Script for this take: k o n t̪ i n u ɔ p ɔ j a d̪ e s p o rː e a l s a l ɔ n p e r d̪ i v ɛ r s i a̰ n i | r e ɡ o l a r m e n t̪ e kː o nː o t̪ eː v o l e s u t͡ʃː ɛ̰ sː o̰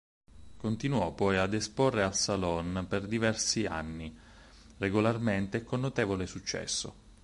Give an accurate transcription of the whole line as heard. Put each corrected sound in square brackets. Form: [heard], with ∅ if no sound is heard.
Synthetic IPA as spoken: k o n t̪ i n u ɔ p ɔ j a d̪ e s p o rː e a l s a l ɔ n p e r d̪ i v ɛ r s i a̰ [nː] i | r e ɡ o l a r m e n t̪ e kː o nː o t̪ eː v o l e s u t͡ʃː ɛ̰ sː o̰